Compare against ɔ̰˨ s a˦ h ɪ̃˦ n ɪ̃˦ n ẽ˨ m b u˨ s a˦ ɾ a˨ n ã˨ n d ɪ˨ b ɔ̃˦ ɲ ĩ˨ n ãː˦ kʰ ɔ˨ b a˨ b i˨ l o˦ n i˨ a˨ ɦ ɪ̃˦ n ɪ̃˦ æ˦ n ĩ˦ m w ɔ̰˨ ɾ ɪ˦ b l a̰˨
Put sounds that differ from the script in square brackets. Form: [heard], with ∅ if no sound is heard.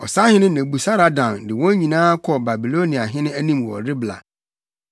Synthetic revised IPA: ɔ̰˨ s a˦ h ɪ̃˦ n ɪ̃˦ n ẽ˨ [∅] b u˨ s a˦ ɾ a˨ [d] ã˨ n d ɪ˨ [w] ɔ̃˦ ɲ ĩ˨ n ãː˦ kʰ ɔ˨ b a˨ b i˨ l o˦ n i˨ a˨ ɦ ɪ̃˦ n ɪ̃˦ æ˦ n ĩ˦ m w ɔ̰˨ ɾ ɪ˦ b l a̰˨